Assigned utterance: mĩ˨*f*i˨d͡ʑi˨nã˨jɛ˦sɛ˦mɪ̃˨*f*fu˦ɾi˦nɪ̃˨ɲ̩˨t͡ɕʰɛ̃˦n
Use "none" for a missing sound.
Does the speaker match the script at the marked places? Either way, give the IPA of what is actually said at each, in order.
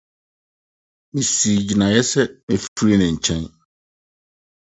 s, f

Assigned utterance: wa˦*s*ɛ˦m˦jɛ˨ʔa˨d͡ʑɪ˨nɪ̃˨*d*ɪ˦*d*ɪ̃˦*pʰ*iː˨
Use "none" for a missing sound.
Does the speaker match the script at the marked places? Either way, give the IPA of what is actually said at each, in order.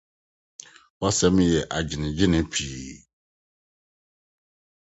s, d͡ʑ, n, pʰ

